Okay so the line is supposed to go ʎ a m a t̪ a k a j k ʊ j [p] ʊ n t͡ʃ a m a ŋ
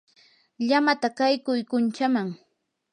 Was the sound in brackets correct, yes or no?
no